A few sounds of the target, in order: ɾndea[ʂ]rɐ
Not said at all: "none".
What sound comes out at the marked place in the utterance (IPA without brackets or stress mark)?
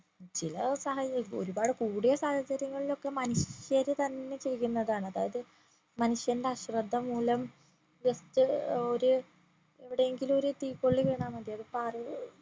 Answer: ɕ